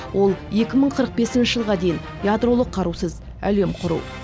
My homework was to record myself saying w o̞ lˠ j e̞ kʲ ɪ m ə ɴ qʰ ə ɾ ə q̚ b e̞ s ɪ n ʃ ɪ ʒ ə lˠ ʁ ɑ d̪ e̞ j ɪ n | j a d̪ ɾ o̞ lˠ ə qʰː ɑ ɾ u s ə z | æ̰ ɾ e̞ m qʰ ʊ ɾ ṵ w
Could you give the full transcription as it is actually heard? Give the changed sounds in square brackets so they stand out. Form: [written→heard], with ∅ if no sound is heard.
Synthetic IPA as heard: w o̞ lˠ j e̞ kʲ ɪ m ə ɴ qʰ ə ɾ ə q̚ b e̞ s ɪ n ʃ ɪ ʒ ə lˠ ʁ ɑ d̪ e̞ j ɪ n | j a d̪ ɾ o̞ lˠ ə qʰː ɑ ɾ u s ə z | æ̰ [ɾ→l] e̞ m qʰ ʊ ɾ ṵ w